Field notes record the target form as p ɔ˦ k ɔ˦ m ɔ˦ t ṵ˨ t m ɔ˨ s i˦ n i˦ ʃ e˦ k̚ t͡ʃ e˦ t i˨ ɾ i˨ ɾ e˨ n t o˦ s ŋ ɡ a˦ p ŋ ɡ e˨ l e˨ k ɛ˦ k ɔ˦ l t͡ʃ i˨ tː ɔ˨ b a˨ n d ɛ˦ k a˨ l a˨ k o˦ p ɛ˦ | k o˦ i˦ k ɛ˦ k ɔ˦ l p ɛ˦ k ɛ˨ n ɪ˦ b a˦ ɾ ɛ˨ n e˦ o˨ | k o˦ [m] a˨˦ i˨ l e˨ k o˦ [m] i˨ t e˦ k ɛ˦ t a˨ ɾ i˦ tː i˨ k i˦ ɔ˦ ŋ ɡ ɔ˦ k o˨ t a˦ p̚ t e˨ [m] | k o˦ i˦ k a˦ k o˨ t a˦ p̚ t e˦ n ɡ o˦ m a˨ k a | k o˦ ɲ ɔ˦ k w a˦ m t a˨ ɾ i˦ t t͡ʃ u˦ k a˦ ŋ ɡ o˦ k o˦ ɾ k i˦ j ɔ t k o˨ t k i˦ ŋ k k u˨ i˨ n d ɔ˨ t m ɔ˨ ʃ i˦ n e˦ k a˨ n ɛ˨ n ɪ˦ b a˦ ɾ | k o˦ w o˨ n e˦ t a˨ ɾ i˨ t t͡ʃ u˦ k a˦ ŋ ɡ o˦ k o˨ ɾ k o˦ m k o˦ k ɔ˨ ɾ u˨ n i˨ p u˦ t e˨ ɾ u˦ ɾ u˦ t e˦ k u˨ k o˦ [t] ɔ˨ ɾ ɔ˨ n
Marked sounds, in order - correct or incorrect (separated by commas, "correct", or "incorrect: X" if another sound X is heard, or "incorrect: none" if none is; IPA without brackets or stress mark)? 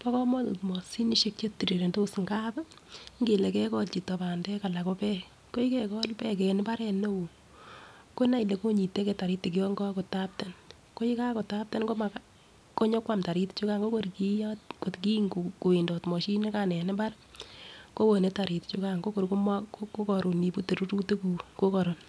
incorrect: n, incorrect: ɲ, incorrect: n, incorrect: k